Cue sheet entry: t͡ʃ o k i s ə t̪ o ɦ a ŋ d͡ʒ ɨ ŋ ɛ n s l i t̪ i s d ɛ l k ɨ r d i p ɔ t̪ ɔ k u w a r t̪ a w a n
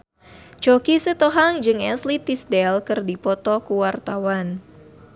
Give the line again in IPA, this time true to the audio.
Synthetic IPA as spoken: t͡ʃ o k i s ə t̪ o ɦ a ŋ d͡ʒ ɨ ŋ ɛ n s l i t̪ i s d ɛ l k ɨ r d i p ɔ t̪ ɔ k u w a r t̪ a w a n